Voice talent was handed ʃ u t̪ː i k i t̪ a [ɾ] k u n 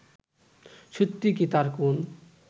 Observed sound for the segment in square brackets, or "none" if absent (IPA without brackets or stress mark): ɾ